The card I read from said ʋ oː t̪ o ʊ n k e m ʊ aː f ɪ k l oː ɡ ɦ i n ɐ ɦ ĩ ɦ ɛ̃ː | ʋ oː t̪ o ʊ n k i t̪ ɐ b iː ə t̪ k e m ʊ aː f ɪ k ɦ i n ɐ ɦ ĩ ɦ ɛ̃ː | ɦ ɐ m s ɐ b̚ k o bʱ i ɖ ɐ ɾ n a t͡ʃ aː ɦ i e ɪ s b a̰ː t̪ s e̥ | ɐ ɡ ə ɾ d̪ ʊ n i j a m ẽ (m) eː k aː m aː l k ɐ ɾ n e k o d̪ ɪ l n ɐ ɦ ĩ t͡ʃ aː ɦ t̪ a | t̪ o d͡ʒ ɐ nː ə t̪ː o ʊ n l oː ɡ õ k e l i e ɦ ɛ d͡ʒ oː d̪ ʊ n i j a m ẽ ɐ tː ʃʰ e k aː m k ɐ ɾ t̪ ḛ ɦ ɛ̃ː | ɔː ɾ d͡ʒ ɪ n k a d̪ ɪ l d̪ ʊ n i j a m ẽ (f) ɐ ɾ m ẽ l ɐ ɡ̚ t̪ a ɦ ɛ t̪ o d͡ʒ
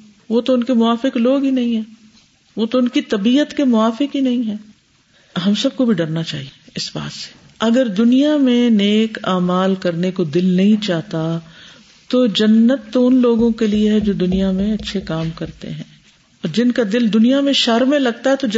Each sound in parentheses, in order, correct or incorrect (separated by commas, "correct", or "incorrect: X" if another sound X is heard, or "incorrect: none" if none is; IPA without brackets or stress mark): incorrect: n, incorrect: ʃ